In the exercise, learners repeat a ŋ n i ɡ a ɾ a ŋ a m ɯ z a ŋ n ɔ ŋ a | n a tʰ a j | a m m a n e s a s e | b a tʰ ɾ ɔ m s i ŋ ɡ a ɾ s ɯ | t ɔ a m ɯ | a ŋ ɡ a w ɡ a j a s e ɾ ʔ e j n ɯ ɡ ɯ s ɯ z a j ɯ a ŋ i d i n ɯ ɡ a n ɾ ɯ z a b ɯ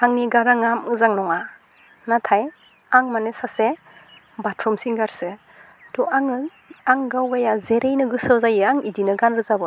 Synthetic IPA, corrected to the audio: a ŋ n i ɡ a ɾ a ŋ a m ɯ z a ŋ n ɔ ŋ a | n a tʰ a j | a ŋ m a n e s a s e | b a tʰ ɾ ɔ m s i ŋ ɡ a ɾ s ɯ | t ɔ a ŋ ɯ | a ŋ ɡ a w ɡ a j a z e ɾ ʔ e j n ɯ ɡ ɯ s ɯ z a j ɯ a ŋ i d i n ɯ ɡ a n ɾ ɯ z a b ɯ